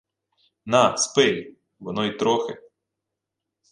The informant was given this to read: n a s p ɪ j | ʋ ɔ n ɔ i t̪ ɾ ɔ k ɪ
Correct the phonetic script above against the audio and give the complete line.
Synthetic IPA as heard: n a s p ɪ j | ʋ ɔ n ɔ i t̪ ɾ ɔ x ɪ